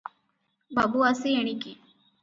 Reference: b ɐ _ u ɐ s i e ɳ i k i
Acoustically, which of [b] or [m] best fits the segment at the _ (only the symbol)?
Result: b